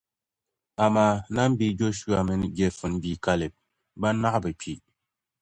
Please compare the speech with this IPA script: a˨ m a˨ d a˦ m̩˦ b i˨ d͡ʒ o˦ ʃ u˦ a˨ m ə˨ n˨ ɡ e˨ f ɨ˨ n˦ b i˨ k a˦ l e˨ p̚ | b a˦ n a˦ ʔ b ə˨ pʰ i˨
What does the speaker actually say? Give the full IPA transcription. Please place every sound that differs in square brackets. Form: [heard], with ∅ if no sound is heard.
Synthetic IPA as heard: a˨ m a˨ [n] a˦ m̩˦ b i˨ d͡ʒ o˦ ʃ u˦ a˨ m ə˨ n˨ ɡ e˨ f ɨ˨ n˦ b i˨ k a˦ l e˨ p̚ | b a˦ n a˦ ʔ b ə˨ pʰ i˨